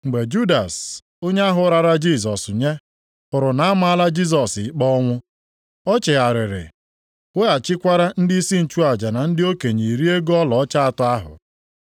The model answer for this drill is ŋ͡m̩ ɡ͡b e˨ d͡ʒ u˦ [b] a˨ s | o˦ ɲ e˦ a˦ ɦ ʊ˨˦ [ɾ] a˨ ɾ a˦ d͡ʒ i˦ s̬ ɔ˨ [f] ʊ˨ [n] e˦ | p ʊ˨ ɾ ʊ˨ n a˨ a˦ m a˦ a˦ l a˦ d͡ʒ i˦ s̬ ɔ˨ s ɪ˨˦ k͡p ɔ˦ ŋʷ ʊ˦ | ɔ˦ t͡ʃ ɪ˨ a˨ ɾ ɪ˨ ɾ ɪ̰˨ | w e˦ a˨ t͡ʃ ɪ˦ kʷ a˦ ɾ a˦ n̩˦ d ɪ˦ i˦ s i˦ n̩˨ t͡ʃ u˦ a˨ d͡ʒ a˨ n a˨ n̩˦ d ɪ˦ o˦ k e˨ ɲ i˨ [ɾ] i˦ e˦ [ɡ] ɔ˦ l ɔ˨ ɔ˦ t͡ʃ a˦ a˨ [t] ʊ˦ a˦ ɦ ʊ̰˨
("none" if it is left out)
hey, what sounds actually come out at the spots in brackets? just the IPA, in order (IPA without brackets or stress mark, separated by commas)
d, ɾ, s, ɲ, ɾ, ɡ, t